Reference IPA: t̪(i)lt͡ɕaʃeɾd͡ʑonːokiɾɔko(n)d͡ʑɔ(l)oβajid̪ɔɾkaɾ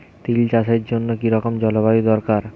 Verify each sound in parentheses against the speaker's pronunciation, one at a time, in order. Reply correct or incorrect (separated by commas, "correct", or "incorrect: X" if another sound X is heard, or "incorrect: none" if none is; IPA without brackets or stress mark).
correct, incorrect: m, correct